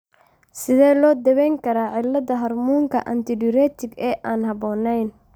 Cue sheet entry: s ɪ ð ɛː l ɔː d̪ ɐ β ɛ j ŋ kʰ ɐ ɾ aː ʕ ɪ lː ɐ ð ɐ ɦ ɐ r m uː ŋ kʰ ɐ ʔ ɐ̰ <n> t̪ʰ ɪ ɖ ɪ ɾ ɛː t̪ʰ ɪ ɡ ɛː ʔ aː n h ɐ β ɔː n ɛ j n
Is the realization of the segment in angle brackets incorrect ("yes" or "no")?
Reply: no